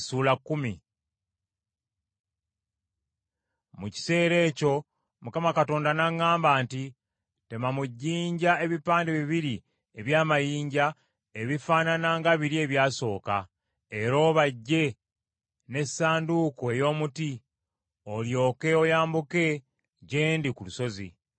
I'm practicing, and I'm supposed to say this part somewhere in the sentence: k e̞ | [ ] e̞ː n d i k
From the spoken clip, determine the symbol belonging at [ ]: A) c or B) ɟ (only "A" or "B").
B